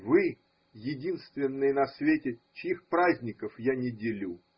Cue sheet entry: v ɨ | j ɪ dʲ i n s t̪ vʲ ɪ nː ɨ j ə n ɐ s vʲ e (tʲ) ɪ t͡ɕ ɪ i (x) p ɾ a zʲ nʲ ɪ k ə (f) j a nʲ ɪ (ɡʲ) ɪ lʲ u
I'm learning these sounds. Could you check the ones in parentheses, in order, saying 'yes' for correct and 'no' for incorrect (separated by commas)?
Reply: yes, yes, yes, no